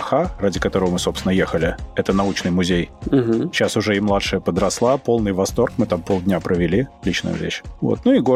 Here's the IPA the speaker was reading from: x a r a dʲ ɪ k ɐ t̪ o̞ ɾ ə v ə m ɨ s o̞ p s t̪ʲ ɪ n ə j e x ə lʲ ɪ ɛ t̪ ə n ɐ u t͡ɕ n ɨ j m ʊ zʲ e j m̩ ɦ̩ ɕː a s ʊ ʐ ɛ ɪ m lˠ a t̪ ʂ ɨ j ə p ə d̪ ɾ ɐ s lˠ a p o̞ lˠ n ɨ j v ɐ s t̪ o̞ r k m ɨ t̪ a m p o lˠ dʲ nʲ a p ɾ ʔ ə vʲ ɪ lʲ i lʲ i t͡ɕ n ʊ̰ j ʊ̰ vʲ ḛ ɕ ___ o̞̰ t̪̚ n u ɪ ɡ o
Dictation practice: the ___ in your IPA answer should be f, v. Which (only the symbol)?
v